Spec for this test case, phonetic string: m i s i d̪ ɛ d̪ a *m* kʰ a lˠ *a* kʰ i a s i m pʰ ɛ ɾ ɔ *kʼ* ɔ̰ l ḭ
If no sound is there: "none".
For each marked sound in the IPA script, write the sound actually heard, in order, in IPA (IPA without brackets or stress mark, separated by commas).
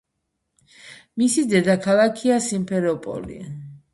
none, a, pʼ